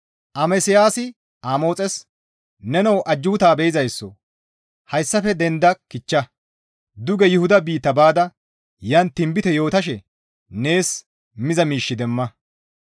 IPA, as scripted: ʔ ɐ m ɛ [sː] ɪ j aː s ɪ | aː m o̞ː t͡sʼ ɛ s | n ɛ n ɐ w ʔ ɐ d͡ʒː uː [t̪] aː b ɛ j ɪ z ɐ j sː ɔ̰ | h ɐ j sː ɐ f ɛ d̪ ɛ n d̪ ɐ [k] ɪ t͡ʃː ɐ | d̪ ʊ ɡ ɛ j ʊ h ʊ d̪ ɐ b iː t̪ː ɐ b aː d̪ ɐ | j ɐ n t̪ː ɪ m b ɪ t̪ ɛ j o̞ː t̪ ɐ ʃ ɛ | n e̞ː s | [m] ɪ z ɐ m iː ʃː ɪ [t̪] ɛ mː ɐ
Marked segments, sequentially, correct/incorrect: incorrect: s, correct, correct, correct, incorrect: d̪

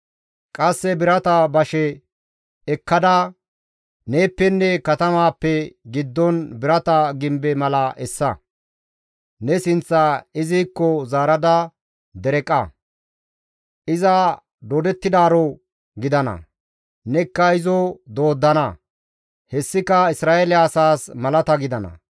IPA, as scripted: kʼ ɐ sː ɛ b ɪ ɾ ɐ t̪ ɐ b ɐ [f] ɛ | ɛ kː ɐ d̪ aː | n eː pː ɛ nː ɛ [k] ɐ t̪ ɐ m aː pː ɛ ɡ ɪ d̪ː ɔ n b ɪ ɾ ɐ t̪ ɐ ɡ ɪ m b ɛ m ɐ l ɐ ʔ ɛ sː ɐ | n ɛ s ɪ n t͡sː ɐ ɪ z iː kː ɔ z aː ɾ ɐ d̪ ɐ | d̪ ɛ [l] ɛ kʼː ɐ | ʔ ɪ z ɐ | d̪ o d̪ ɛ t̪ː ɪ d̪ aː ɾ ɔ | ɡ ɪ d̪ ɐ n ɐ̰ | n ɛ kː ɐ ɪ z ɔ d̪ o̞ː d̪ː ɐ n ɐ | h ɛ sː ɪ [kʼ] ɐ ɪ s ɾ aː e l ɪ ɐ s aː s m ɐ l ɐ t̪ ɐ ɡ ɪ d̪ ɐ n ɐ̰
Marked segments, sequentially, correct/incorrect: incorrect: ʃ, correct, incorrect: ɾ, incorrect: k

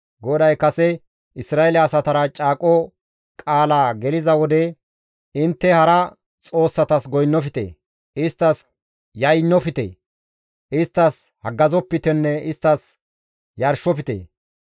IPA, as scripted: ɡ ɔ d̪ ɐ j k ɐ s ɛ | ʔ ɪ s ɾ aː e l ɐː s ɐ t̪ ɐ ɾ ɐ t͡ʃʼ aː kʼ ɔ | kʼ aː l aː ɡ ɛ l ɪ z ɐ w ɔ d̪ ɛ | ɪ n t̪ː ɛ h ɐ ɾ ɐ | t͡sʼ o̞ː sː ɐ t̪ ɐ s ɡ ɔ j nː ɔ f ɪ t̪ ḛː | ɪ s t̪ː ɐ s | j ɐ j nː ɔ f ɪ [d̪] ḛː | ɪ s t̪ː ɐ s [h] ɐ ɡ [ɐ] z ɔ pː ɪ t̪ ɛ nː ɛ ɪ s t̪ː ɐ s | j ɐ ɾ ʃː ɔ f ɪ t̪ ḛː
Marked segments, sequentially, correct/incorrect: incorrect: t̪, correct, correct

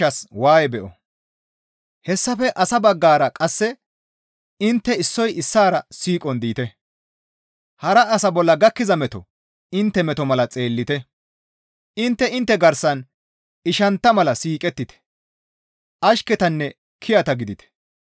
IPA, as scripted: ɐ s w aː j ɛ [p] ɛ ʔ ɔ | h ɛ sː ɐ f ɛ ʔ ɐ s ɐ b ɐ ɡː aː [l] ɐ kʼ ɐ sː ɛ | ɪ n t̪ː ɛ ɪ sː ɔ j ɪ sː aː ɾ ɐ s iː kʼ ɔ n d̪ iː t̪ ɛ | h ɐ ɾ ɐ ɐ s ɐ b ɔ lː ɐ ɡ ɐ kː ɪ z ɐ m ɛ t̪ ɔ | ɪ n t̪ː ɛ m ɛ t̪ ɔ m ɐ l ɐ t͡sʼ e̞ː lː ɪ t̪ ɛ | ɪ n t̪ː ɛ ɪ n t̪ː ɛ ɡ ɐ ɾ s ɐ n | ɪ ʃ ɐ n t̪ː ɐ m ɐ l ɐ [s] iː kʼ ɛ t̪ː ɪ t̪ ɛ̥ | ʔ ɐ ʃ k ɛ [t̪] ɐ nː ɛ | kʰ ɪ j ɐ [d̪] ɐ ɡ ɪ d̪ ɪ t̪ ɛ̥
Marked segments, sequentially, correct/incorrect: incorrect: b, incorrect: ɾ, correct, correct, incorrect: t̪

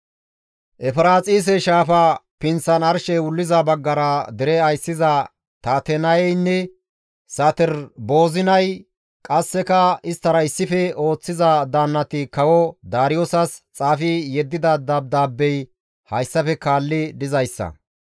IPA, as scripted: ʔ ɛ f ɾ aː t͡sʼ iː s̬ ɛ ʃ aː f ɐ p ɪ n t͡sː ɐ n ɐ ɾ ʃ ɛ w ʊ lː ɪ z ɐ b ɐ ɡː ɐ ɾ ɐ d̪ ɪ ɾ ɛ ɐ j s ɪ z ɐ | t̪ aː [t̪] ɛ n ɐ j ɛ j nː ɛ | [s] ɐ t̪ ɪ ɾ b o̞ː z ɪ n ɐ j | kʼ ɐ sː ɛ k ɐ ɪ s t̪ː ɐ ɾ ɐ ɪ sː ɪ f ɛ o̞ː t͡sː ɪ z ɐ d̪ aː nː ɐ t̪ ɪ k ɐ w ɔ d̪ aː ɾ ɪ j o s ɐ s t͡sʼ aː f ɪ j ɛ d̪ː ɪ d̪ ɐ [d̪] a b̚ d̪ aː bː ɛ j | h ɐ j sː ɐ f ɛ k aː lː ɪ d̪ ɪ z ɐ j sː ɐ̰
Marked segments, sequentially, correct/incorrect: correct, correct, correct

